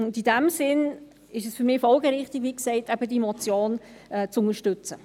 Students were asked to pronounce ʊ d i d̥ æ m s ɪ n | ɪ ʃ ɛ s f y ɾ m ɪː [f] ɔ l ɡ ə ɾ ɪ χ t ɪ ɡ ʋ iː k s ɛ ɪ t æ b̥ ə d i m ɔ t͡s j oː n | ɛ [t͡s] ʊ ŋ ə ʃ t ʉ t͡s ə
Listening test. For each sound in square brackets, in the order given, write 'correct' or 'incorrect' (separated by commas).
correct, correct